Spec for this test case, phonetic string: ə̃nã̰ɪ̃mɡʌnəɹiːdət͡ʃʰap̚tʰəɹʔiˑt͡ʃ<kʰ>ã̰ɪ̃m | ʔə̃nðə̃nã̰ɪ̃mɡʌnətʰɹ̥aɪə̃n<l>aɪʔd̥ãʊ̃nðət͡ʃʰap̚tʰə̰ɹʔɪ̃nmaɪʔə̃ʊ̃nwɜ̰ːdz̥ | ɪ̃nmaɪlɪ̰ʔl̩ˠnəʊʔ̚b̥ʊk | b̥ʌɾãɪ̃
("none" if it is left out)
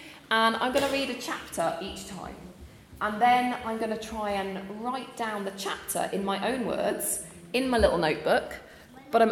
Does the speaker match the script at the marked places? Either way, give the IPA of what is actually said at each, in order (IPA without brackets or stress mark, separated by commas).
tʰ, ɹ